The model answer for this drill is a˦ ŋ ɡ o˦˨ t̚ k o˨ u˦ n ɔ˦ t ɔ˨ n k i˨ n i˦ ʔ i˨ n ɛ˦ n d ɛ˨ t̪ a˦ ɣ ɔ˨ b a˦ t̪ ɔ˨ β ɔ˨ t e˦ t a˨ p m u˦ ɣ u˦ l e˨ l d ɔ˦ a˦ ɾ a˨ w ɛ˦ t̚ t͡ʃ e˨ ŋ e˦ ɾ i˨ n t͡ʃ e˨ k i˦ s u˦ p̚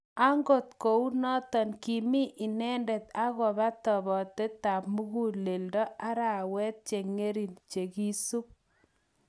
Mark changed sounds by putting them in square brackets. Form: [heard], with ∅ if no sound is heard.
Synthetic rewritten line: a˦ ŋ ɡ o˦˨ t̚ k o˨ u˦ n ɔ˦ t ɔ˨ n k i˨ [m] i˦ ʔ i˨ n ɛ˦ n d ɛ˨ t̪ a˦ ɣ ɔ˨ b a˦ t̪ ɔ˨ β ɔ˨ t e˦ t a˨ p m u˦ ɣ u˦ l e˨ l d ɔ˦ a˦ ɾ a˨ w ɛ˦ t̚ t͡ʃ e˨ ŋ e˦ ɾ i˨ n t͡ʃ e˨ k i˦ s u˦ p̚